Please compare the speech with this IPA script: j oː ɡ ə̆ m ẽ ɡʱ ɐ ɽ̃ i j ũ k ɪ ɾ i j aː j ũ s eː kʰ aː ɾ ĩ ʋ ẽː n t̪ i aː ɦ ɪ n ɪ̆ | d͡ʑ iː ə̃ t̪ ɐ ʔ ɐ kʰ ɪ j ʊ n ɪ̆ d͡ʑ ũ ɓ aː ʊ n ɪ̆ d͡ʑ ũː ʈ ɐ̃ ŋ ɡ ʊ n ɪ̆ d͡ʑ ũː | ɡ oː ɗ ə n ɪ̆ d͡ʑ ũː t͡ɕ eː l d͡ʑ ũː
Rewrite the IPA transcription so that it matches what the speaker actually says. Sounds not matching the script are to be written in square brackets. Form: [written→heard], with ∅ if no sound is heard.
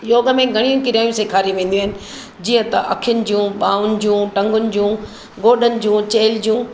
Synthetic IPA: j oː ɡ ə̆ m ẽ ɡʱ ɐ ɽ̃ i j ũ k ɪ ɾ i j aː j ũ s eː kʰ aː ɾ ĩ ʋ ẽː n [t̪→d̪] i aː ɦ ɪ n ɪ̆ | d͡ʑ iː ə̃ t̪ ɐ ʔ ɐ kʰ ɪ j ʊ n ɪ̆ d͡ʑ ũ ɓ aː ʊ n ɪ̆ d͡ʑ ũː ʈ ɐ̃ ŋ ɡ ʊ n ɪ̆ d͡ʑ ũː | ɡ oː ɗ ə n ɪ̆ d͡ʑ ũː t͡ɕ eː l d͡ʑ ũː